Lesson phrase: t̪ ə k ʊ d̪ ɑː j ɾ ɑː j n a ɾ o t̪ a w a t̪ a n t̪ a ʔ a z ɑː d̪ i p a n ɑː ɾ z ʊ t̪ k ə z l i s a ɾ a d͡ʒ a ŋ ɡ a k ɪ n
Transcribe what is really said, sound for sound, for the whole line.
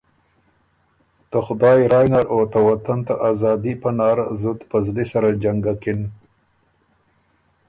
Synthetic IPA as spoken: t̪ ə x ʊ d̪ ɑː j ɾ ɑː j n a ɾ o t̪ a w a t̪ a n t̪ a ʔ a z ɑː d̪ i p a n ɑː ɾ z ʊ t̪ p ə z l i s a ɾ a d͡ʒ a ŋ ɡ a k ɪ n